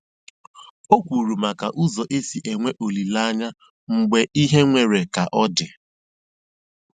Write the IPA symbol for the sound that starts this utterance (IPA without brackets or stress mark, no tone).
o